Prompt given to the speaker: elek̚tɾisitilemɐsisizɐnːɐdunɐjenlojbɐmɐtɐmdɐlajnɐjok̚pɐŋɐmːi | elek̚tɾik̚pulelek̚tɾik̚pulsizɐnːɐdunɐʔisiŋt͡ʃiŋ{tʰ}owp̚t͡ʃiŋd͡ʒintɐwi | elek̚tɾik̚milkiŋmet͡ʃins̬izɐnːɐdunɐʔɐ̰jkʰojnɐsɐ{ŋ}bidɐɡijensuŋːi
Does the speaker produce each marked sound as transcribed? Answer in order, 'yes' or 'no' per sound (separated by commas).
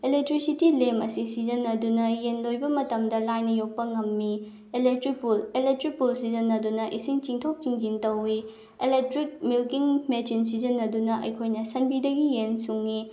yes, no